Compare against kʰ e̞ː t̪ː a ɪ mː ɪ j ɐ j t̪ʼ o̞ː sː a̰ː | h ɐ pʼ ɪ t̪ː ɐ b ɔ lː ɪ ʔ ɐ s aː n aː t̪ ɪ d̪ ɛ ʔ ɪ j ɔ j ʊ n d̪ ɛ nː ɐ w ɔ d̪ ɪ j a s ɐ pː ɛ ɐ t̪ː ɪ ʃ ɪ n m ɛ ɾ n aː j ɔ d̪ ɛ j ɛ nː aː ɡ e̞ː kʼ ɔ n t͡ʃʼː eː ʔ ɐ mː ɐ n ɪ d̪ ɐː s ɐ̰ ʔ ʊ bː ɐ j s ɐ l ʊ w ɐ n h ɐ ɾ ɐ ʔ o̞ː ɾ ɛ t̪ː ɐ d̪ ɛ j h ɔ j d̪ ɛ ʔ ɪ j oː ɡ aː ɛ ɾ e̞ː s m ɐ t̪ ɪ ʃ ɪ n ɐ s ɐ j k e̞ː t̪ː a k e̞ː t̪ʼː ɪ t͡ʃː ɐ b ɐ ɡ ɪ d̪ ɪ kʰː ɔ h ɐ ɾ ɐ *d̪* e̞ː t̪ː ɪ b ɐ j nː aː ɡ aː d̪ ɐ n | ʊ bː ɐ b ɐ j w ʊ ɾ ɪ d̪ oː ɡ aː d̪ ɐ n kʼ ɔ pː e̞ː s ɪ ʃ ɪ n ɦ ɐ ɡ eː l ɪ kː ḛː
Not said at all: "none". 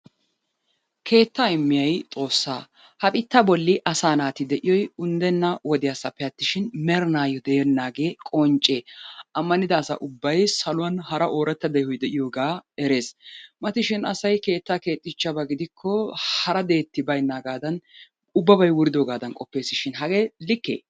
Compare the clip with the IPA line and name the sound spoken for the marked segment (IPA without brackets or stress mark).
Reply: d̪